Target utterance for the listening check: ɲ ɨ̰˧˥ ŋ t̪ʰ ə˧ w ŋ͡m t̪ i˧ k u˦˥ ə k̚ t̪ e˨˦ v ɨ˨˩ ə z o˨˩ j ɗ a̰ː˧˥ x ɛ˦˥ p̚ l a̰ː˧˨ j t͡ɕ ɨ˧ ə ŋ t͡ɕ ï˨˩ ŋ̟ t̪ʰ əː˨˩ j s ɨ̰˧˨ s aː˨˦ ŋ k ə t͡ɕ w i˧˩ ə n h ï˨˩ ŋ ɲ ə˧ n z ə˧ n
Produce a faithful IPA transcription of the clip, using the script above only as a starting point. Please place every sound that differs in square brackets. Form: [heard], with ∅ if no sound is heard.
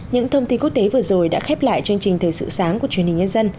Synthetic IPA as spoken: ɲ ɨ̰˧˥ ŋ t̪ʰ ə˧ w ŋ͡m t̪ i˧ k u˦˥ ə k̚ t̪ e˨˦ v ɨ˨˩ ə z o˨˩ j ɗ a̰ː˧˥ x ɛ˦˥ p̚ l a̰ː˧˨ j t͡ɕ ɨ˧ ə ŋ t͡ɕ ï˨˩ ŋ̟ t̪ʰ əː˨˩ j s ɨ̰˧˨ s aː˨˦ ŋ k ə t͡ɕ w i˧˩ ə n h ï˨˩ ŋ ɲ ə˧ n z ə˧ n